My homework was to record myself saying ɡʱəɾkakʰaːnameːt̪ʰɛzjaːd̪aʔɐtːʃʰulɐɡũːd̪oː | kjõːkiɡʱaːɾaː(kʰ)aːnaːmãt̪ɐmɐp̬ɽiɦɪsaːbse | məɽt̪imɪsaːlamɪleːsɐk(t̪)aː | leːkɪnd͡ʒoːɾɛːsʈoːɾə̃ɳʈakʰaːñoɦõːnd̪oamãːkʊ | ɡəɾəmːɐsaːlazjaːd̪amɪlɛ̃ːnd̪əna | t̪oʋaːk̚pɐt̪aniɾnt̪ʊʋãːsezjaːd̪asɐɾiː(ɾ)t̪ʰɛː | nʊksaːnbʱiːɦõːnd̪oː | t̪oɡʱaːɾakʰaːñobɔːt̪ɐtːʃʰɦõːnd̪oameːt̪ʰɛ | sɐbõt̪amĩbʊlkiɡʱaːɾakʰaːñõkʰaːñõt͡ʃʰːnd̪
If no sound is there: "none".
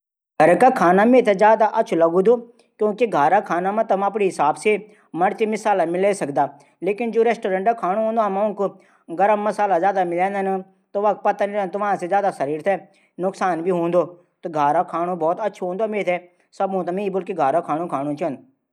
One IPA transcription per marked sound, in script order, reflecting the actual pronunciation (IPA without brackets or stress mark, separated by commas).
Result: kʰ, d̪, ɾ